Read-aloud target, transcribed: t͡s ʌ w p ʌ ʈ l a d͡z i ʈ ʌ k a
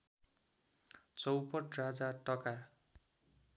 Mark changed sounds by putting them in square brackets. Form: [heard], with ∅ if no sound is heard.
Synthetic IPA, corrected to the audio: t͡s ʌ w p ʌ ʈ [r] a d͡z [a] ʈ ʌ k a